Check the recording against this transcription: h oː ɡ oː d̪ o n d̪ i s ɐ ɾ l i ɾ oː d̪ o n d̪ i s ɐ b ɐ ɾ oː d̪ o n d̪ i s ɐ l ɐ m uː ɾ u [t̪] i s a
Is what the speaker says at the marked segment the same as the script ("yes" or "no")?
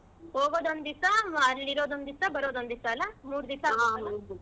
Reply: no